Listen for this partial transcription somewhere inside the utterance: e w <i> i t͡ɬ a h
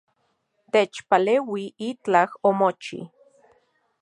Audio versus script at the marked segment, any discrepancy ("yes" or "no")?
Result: no